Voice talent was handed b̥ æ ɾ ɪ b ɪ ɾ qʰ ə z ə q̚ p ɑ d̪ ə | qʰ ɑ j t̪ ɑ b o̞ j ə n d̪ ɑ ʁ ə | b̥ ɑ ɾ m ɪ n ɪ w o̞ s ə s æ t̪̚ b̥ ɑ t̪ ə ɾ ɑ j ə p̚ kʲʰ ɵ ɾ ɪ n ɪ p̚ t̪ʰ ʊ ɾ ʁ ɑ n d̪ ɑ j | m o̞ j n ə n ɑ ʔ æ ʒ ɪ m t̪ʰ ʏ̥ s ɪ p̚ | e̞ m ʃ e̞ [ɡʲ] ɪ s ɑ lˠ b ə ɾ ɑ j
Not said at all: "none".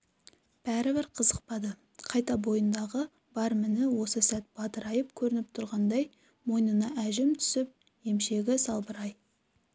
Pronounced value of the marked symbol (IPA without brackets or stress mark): ɡʲ